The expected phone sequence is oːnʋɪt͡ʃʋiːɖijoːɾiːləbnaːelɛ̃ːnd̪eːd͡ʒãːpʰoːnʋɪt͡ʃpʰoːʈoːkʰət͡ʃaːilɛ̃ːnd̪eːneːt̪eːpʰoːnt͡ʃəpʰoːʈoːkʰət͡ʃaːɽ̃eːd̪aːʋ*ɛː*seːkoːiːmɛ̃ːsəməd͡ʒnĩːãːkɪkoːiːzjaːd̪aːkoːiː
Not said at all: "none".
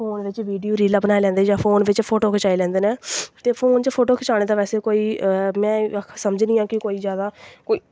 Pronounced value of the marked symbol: ɛː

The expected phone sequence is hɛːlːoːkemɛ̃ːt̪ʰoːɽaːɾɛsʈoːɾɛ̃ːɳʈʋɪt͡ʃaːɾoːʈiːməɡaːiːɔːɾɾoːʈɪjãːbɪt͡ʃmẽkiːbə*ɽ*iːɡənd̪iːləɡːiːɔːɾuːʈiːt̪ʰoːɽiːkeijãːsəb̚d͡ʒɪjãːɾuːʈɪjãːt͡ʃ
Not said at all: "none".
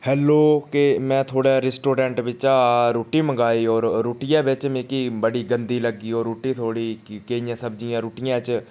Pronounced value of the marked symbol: ɽ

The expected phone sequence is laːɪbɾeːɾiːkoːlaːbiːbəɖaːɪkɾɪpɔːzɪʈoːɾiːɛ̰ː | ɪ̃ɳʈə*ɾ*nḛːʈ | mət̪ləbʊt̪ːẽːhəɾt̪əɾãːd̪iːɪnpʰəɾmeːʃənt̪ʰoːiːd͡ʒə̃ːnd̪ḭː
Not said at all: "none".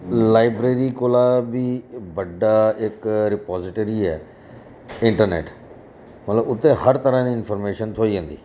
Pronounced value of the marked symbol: ɾ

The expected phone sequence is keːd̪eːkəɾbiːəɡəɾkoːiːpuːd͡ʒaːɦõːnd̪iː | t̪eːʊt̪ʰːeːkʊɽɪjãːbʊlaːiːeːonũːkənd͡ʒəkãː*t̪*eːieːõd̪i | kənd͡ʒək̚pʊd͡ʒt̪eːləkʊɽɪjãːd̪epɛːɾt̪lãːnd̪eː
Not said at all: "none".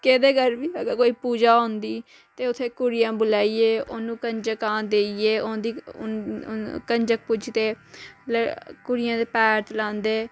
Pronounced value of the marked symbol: d̪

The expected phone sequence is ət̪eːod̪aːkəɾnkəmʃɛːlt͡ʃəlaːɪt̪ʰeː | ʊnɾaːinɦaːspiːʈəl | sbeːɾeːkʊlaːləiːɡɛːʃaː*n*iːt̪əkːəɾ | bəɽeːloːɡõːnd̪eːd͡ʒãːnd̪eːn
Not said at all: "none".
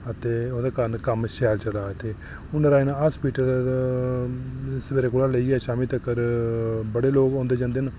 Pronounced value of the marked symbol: m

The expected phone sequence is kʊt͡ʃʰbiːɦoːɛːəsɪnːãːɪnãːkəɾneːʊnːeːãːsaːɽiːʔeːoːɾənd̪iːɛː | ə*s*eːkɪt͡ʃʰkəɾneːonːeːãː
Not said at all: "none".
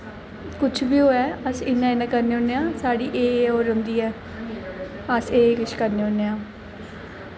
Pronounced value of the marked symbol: s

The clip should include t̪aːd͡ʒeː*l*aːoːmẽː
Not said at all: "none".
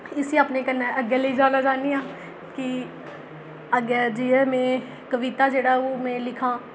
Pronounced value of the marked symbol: ɽ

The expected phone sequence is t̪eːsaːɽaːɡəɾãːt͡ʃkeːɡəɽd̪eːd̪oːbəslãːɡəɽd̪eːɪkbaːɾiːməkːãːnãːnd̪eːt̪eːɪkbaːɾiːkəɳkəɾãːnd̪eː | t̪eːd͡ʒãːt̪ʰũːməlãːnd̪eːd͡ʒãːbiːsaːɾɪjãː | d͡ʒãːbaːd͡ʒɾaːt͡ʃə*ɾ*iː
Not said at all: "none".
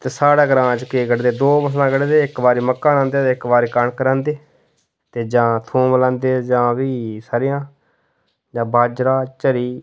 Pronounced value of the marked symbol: ɾ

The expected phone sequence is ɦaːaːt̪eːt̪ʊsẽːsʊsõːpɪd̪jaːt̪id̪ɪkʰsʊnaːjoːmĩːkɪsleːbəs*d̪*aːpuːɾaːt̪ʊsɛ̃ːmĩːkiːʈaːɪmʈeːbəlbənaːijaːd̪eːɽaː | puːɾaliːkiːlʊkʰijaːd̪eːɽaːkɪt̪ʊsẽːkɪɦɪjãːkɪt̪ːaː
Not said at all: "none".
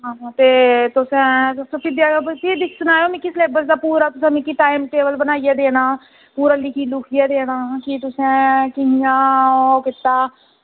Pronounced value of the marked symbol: d̪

